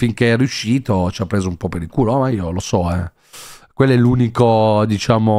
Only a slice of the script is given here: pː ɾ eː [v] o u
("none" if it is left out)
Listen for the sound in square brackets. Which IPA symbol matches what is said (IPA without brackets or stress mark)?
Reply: z